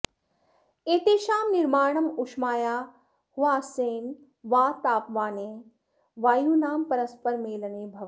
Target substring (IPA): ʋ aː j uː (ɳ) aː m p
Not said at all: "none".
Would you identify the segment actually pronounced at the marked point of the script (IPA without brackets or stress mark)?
n